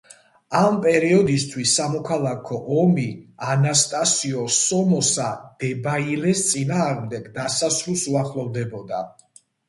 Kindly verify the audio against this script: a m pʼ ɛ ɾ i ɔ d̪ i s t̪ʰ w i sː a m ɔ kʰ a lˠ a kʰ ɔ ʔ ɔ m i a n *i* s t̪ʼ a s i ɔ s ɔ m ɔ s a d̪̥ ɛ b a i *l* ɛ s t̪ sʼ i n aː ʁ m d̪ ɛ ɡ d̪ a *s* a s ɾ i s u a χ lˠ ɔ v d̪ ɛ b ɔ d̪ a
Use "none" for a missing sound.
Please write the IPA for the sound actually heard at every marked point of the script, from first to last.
a, l, s

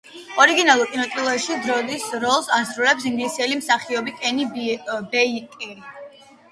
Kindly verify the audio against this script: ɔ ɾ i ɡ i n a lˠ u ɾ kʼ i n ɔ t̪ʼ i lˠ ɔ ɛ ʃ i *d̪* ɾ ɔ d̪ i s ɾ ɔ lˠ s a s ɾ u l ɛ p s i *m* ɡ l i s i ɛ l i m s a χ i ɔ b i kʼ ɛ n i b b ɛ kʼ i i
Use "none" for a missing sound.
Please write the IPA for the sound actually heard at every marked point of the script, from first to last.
d̪, ŋ

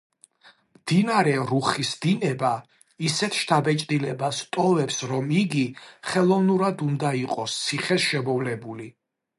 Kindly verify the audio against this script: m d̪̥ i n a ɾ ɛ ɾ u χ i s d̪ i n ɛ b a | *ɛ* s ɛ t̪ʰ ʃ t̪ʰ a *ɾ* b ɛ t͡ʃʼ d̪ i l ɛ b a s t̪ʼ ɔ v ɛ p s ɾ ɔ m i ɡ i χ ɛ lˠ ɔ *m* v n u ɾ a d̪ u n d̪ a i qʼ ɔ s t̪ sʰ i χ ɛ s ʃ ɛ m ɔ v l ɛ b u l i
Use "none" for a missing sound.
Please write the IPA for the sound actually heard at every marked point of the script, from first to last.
i, none, none

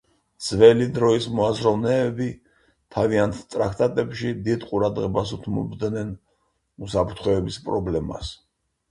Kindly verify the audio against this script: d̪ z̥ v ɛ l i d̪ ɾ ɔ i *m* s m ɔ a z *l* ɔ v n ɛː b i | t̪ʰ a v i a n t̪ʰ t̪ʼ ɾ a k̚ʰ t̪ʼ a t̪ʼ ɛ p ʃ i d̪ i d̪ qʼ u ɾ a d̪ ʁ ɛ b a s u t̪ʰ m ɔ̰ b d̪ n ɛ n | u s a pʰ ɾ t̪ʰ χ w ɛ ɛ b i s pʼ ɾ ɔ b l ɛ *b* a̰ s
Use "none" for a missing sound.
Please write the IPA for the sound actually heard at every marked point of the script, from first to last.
none, ɾ, m

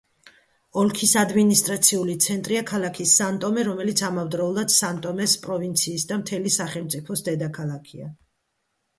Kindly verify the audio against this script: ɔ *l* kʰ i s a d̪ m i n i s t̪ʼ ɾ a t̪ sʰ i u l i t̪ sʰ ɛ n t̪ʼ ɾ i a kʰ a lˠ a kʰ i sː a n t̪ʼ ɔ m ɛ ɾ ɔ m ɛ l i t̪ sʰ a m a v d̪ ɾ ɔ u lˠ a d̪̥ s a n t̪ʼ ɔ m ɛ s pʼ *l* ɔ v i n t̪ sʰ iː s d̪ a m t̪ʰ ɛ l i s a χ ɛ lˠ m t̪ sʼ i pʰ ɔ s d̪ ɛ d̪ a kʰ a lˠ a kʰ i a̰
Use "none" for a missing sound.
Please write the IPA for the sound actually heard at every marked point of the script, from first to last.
l, ɾ

